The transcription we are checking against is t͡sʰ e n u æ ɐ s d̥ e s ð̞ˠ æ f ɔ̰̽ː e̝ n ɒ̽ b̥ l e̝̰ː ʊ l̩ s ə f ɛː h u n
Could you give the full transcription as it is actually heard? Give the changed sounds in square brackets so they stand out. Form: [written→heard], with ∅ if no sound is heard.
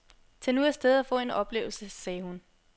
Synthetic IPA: t͡sʰ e n u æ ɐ s d̥ e [s→∅] ð̞ˠ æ f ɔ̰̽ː e̝ n ɒ̽ b̥ l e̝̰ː ʊ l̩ s ə [f→s] ɛː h u n